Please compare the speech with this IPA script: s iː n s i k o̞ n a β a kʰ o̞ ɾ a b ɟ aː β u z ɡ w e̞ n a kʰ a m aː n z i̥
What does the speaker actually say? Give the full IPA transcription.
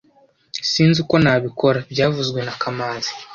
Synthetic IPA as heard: s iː n z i k o̞ n a β i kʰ o̞ ɾ a b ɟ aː v u z ɡ w e̞ n a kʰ a m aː n z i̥